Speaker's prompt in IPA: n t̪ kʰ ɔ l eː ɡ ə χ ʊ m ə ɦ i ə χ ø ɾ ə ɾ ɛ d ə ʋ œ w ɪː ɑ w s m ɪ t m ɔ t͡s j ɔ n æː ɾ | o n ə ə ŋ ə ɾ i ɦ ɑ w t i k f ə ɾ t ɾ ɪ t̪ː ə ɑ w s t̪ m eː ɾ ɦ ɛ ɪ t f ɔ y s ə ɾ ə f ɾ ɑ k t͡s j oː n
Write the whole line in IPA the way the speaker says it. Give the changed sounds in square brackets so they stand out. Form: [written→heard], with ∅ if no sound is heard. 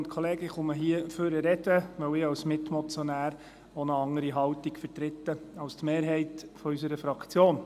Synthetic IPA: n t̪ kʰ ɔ l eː ɡ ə χ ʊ m ə ɦ i ə [χ→f] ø ɾ ə ɾ ɛ d ə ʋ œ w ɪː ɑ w s m ɪ t m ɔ t͡s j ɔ n æː ɾ | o n ə [ə→ɑ] ŋ ə ɾ i ɦ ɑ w t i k f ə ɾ t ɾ ɪ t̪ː ə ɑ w s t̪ m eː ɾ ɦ ɛ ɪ t f ɔ y s ə ɾ ə f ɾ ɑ k t͡s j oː n

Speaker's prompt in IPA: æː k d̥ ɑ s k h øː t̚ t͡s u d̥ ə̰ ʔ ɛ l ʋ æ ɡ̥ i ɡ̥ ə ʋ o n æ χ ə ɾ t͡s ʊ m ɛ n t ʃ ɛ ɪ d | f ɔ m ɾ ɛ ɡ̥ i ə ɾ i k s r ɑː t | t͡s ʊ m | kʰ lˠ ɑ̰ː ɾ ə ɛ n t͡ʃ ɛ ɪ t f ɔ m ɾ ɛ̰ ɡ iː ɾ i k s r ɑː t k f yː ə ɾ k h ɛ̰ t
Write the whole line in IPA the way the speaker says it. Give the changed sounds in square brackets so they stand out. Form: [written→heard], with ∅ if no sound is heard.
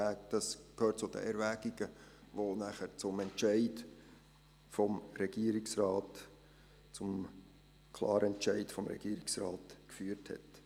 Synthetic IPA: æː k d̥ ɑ s k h øː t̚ t͡s [u→ʊ] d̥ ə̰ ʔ ɛ [l→ɾ] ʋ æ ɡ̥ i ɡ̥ ə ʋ o n æ χ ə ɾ t͡s ʊ m ɛ n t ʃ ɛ ɪ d | f ɔ m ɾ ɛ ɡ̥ i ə ɾ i k s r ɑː t | t͡s ʊ m | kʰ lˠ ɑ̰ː ɾ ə ɛ n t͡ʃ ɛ ɪ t f ɔ m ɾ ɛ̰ ɡ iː ɾ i k s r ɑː t k f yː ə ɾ [k→t] h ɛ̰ t

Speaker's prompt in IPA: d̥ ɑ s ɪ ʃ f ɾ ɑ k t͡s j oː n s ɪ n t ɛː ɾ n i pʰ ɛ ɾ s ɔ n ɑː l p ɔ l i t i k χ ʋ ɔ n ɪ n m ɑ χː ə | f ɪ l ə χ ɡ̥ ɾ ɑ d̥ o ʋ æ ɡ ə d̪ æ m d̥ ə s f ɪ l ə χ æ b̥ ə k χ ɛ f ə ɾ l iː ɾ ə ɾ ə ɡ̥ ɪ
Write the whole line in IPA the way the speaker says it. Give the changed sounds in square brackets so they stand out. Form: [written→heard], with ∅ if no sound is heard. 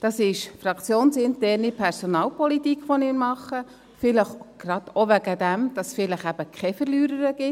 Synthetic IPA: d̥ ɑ s ɪ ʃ f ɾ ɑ k t͡s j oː n s ɪ n t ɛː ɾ n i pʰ ɛ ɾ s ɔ n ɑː l p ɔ l i t i k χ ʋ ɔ n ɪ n m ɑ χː ə | f ɪ l ə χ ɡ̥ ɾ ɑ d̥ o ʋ æ ɡ ə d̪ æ m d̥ [ə→ɑ] s f ɪ l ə χ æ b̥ ə k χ ɛ f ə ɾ l [iː→yː] ɾ ə ɾ ə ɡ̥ ɪ

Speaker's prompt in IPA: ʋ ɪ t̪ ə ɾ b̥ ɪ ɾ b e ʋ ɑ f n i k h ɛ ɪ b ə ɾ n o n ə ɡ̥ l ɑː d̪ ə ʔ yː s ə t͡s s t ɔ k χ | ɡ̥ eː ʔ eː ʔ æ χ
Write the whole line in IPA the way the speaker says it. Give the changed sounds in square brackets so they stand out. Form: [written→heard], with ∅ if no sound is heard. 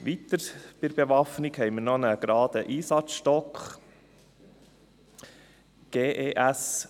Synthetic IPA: ʋ [ɪ→i] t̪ ə ɾ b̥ ɪ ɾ b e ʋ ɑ f n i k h ɛ ɪ [b→m] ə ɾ n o n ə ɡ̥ [l→ɾ] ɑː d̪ ə ʔ [yː→iː] s [ə→ɑ] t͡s [s→ʃ] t ɔ k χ | ɡ̥ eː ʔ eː ʔ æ [χ→s]

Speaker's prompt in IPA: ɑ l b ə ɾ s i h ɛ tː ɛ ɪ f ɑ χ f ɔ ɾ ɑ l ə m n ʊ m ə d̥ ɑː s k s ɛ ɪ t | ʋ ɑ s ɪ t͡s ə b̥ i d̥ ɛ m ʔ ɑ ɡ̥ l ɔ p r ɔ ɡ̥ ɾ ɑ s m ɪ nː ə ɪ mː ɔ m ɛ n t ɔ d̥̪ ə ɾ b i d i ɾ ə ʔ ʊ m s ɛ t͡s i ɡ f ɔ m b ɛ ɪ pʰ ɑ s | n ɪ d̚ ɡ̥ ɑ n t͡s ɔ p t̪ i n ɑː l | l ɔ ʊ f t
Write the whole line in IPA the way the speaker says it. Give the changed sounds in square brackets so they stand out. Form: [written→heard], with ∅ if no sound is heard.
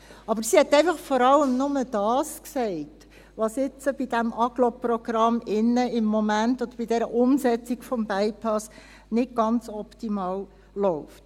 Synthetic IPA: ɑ [l→∅] b ə ɾ s i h ɛ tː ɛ ɪ f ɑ χ f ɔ ɾ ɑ l ə m n ʊ m ə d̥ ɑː s k s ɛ ɪ t | ʋ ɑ s ɪ t͡s ə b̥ i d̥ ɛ m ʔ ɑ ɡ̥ l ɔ p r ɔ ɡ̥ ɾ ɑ [s→∅] m ɪ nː ə ɪ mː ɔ m [ɛ→æ] n t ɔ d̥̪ ə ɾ b i d [i→ɛ] ɾ ə ʔ ʊ m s ɛ t͡s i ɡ f ɔ m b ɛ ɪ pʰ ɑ s | n ɪ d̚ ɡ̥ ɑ n t͡s ɔ p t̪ i [n→m] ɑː l | l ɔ ʊ f t

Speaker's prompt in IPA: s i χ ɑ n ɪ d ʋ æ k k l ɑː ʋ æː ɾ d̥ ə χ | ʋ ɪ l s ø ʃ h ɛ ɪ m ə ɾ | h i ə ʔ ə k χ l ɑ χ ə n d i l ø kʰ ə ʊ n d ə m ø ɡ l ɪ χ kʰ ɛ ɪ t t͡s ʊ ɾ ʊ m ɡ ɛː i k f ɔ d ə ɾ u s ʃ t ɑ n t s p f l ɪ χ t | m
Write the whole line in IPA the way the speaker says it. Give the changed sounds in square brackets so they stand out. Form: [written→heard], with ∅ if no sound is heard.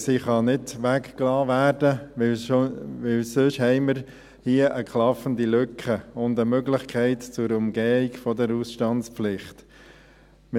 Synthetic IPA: s i χ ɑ n ɪ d ʋ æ k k l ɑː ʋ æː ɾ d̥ ə [χ→∅] | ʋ ɪ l s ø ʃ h ɛ ɪ m ə ɾ | h i ə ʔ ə k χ l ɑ [χ→f] ə n d i l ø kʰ ə ʊ n d ə m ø ɡ l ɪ χ kʰ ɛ ɪ t t͡s ʊ ɾ ʊ m ɡ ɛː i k f ɔ d ə ɾ u s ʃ t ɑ n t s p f l ɪ χ t | m

